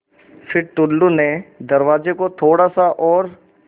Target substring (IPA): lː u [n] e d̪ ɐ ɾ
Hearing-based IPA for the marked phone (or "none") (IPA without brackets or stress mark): n